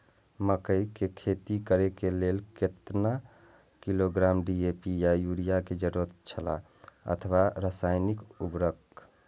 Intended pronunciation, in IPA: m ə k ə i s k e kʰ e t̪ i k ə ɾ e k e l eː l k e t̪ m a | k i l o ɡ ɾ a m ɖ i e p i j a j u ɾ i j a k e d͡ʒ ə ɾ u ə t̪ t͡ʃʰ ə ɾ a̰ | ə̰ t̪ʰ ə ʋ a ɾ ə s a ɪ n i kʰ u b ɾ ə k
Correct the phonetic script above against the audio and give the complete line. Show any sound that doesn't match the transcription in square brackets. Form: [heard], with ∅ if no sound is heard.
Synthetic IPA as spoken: m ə k ə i [∅] k e kʰ e t̪ i k ə ɾ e k e l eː l k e t̪ [n] a | k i l o ɡ ɾ a m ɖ i e p i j a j u ɾ i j a k e d͡ʒ ə ɾ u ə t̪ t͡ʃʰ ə [l] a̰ | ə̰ t̪ʰ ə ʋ a ɾ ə s a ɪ n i [k] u b ɾ ə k

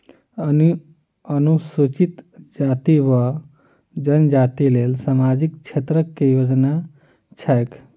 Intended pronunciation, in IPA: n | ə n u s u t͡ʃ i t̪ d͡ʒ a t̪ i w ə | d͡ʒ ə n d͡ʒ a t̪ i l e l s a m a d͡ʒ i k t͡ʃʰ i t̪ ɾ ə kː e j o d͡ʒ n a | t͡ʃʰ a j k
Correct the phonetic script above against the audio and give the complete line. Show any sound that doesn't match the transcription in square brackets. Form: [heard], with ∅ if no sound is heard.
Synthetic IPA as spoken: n | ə n u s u t͡ʃ i t̪ d͡ʒ a t̪ i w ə | d͡ʒ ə n d͡ʒ a t̪ i l e l s a m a d͡ʒ i k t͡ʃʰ [e] t̪ ɾ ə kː e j o d͡ʒ n a | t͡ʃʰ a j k

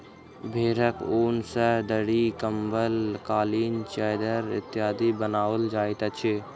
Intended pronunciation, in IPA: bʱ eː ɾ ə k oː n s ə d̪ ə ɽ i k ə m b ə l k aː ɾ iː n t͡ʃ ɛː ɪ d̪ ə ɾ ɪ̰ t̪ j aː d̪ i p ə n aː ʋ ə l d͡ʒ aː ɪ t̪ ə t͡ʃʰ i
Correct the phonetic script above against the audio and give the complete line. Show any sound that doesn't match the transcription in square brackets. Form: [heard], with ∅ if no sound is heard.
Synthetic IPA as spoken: bʱ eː ɾ ə k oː n s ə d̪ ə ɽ i k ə m b ə l k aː [l] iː n t͡ʃ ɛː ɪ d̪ ə ɾ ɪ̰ t̪ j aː d̪ i [b] ə n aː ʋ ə l d͡ʒ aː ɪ t̪ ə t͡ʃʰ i

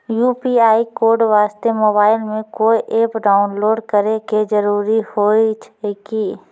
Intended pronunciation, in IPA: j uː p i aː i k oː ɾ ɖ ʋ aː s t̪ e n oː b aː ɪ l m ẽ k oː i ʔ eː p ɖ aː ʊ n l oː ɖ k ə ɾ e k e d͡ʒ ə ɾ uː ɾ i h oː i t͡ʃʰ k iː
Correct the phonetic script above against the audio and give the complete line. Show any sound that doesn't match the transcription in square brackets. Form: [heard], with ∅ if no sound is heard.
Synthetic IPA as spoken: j uː p i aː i k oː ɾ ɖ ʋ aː s t̪ e [m] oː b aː ɪ l m ẽ k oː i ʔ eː p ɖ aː ʊ n l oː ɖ k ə ɾ e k e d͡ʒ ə ɾ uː ɾ i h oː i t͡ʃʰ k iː

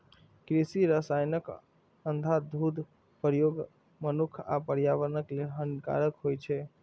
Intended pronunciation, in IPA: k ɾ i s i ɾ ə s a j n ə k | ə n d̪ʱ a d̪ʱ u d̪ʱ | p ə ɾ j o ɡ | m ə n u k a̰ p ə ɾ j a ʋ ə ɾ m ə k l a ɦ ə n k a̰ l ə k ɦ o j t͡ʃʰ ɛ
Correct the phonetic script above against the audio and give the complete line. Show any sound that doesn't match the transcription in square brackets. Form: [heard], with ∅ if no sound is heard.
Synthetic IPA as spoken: k ɾ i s i ɾ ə s a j n ə k | ə n d̪ʱ a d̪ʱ u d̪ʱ | p ə ɾ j o ɡ | m ə n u [kʰ] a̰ p ə ɾ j a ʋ ə ɾ [n] ə k l [e] ɦ ə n k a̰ [ɾ] ə k ɦ o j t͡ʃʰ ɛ

